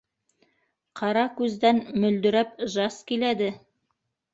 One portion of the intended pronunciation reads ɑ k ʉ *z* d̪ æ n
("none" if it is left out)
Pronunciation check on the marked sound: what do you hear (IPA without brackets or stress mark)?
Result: z